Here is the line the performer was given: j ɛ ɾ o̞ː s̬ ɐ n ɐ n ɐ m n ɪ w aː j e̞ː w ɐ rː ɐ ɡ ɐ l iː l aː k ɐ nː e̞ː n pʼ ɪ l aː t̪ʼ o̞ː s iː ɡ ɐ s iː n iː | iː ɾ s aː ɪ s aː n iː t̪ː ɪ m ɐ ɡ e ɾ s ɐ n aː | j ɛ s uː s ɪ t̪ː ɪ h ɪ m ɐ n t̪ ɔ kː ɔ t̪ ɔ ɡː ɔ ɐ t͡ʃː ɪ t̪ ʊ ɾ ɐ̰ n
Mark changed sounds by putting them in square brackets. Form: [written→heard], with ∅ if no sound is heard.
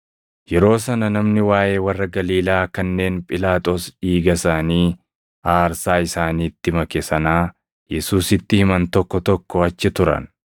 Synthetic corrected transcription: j ɛ ɾ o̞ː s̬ ɐ n ɐ n ɐ m n ɪ w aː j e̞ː w ɐ rː ɐ ɡ ɐ l iː l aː k ɐ nː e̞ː n pʼ ɪ l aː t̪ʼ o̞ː s iː ɡ ɐ s [iː→aː] n iː | [iː→aː] ɾ s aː ɪ s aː n iː t̪ː ɪ m ɐ [ɡ→k] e [ɾ→∅] s ɐ n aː | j ɛ s uː s ɪ t̪ː ɪ h ɪ m ɐ n t̪ ɔ kː ɔ t̪ ɔ [ɡː→kː] ɔ ɐ t͡ʃː ɪ t̪ ʊ ɾ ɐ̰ n